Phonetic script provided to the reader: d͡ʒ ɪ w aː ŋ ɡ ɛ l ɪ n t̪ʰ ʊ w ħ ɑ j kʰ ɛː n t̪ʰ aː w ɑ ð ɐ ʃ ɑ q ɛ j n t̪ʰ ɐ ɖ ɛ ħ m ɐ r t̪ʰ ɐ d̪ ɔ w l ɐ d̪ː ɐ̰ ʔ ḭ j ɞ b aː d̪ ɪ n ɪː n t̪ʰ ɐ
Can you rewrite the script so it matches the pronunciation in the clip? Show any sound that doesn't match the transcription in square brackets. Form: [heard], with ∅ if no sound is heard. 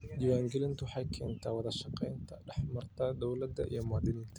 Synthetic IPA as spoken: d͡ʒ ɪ w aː ŋ ɡ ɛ l ɪ n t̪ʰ ʊ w ħ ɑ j kʰ ɛː n t̪ʰ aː w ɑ ð ɐ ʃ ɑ q ɛ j n t̪ʰ ɐ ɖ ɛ ħ m ɐ r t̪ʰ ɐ d̪ ɔ w l ɐ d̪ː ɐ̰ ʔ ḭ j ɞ [m] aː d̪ ɪ n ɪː n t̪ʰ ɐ